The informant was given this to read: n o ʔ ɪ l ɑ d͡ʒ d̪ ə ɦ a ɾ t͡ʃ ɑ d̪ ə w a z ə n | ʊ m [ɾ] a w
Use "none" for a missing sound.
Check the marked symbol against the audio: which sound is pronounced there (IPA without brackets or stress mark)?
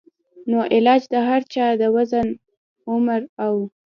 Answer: ɾ